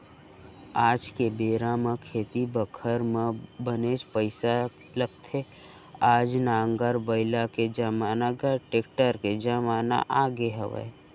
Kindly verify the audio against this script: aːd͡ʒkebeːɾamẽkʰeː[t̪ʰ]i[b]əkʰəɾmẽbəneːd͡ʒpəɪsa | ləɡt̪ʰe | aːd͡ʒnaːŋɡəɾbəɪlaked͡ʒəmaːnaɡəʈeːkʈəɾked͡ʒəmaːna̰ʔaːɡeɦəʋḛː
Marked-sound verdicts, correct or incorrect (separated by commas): incorrect, correct